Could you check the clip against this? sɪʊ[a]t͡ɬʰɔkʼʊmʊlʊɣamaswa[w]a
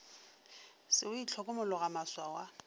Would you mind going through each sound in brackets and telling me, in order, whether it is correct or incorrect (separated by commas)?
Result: incorrect, correct